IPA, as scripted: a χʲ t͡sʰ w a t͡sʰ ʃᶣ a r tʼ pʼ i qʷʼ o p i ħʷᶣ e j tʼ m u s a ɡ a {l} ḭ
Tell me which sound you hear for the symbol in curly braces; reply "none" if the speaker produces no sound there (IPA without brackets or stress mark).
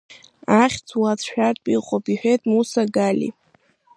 l